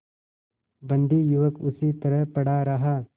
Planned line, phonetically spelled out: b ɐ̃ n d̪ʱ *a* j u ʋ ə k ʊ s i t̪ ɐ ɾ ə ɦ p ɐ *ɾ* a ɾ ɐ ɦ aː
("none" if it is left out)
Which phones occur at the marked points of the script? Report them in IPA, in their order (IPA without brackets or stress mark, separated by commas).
i, ɽ